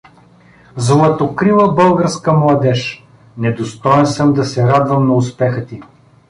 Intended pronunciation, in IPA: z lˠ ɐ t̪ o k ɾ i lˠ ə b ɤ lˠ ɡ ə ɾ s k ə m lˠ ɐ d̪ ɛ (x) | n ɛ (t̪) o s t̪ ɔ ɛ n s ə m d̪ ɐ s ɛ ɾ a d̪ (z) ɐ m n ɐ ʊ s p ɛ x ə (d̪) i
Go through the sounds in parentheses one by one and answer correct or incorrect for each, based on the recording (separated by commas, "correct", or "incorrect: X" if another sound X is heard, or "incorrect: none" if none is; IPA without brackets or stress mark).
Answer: incorrect: ʃ, incorrect: d̪, incorrect: v, incorrect: t̪